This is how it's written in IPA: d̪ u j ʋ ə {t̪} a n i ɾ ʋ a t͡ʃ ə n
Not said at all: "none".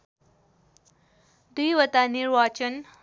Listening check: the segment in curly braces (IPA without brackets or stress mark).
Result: t̪